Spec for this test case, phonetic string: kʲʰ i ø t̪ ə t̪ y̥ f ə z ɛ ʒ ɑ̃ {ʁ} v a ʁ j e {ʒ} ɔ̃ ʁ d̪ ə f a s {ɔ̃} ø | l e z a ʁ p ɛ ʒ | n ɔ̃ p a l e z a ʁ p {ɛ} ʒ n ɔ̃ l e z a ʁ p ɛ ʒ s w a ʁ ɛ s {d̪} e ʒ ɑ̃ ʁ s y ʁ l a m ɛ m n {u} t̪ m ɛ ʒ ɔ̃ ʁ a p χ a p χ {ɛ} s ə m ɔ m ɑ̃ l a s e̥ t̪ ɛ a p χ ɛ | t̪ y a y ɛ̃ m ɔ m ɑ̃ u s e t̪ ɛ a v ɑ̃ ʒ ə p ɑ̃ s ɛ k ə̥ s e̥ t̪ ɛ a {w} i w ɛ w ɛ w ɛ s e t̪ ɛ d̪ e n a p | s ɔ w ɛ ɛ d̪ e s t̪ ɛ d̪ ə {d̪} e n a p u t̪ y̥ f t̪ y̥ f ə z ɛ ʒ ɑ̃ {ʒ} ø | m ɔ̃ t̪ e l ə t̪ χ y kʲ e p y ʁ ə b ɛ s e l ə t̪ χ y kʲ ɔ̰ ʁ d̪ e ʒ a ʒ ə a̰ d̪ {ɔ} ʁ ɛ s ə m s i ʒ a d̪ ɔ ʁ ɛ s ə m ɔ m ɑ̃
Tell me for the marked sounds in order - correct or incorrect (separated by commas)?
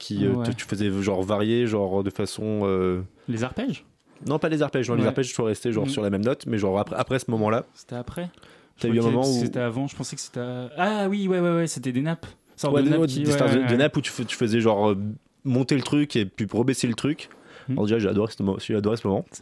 correct, correct, correct, correct, incorrect, incorrect, correct, correct, correct, incorrect, correct